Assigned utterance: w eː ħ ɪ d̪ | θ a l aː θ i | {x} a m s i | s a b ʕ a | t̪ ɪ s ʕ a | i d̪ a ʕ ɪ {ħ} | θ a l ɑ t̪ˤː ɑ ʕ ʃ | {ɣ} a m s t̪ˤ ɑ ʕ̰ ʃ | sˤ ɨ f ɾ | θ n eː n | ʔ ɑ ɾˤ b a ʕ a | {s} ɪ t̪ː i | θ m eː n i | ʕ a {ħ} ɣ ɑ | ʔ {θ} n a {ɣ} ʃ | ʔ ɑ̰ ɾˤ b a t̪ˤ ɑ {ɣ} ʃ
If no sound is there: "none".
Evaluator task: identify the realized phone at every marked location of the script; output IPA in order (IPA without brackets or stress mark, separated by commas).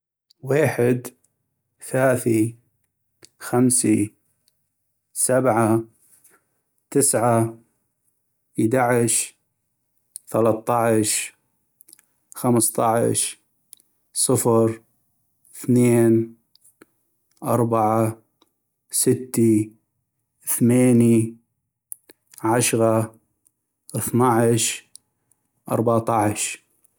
x, ʃ, x, s, ʃ, θ, ʕ, ʕ